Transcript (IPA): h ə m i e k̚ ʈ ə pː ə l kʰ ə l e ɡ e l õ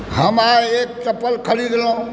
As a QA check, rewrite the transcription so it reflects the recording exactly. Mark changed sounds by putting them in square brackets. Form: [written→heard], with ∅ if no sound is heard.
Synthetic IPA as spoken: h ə m [i→a] e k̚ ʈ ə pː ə l kʰ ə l [e→i] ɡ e l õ